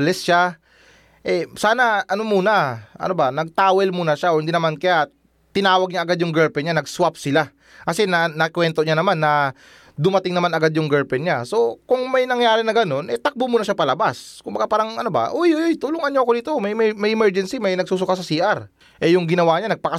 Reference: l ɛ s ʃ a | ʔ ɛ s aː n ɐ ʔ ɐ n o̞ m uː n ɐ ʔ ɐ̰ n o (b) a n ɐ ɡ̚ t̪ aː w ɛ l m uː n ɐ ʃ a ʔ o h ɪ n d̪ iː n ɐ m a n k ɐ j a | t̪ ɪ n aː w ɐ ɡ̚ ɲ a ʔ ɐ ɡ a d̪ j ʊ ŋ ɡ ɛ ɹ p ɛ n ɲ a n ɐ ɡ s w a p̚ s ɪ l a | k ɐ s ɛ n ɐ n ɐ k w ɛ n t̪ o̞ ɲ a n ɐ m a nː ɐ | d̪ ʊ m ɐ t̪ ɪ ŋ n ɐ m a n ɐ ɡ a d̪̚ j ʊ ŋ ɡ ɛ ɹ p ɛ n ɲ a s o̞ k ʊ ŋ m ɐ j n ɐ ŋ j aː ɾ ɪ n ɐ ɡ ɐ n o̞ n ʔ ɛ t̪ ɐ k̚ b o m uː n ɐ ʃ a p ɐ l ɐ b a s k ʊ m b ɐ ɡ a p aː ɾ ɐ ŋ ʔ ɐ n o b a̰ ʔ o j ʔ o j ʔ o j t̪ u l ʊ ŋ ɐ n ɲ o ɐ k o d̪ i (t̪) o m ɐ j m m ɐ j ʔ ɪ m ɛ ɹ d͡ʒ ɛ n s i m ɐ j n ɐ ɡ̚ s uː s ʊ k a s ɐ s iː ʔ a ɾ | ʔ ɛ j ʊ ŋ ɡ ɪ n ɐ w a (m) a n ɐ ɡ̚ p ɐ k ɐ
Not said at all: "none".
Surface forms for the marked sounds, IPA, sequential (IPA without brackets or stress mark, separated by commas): b, t̪, ɲ